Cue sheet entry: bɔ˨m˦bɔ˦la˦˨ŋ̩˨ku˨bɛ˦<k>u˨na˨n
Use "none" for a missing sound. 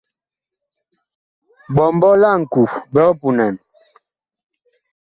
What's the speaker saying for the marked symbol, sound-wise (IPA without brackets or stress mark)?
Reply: p